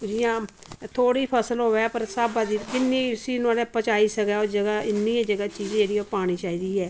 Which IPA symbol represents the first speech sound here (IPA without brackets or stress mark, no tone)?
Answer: d͡ʒ